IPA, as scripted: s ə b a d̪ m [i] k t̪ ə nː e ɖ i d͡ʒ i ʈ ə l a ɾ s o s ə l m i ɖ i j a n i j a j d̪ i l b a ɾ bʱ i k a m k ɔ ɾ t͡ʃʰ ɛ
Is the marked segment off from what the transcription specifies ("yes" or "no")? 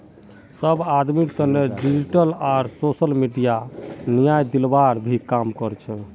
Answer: no